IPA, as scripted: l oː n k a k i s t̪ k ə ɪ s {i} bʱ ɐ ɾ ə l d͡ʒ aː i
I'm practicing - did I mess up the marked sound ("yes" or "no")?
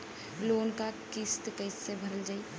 yes